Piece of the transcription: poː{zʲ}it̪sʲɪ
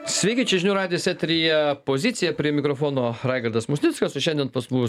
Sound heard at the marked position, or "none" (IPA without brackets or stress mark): zʲ